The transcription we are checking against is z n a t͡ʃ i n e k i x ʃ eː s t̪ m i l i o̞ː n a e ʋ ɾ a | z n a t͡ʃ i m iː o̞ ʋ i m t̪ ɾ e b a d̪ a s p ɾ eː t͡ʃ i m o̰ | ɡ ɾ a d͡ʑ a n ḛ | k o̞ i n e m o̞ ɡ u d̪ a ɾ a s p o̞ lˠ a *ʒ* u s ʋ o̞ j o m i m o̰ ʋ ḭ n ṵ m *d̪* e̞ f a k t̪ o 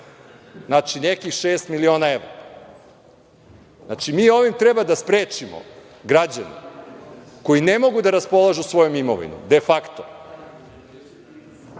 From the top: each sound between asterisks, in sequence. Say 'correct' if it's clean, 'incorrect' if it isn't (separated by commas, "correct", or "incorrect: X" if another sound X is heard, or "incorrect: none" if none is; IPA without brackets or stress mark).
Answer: correct, correct